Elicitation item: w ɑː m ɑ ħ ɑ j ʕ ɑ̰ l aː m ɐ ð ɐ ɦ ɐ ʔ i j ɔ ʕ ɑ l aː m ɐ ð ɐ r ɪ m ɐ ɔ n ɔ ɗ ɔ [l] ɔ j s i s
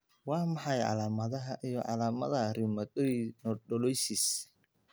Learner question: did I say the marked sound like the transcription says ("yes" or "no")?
yes